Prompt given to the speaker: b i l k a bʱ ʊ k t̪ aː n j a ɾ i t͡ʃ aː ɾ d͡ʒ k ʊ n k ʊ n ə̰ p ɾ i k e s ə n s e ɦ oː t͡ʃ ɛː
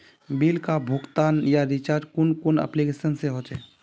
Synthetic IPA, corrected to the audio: b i l k a bʱ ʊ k t̪ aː n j a ɾ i t͡ʃ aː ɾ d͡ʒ k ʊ n k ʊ n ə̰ p l i k e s ə n s e ɦ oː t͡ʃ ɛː